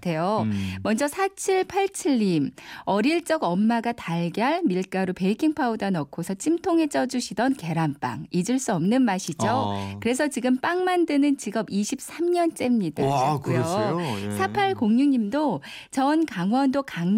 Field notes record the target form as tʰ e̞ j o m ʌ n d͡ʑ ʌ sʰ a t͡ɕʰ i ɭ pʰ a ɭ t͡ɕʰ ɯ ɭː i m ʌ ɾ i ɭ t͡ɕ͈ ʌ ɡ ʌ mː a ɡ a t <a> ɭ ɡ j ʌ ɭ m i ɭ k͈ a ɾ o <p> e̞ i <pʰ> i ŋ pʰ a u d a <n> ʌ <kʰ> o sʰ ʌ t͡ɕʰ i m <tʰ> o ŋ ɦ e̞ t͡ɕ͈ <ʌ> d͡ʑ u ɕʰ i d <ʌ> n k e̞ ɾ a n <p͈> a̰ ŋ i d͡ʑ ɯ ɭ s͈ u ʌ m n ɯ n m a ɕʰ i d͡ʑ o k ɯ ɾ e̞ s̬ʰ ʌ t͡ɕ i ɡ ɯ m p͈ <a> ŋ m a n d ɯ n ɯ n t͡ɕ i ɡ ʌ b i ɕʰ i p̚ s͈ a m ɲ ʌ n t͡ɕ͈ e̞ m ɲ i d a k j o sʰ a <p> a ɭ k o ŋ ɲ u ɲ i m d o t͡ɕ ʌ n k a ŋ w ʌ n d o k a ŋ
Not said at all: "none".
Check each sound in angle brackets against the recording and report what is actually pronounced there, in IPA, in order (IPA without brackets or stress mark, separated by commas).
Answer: a, p, kʰ, n, kʰ, tʰ, ʌ, ʌ, p͈, a, pʰ